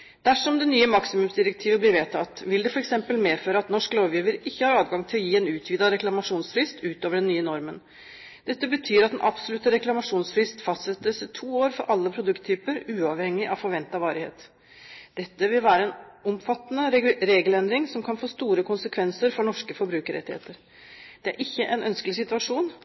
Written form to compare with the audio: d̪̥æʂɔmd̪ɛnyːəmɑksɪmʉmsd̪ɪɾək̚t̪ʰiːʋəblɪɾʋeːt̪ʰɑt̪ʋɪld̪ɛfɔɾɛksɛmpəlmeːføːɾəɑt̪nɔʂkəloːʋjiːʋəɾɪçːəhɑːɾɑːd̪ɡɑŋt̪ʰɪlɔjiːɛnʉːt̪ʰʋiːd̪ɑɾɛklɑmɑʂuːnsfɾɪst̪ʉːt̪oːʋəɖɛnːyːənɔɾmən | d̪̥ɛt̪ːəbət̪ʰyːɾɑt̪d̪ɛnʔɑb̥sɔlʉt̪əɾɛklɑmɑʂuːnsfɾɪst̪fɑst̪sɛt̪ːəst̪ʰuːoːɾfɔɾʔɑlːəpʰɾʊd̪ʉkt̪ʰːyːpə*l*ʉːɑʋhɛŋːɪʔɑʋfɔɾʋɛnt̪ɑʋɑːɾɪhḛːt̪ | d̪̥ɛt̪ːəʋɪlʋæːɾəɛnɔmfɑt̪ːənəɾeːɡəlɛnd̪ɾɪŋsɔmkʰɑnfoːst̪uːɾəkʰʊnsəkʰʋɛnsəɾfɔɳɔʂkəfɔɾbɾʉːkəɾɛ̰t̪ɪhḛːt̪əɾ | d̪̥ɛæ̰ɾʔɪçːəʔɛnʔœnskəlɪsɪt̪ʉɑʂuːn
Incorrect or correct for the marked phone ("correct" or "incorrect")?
incorrect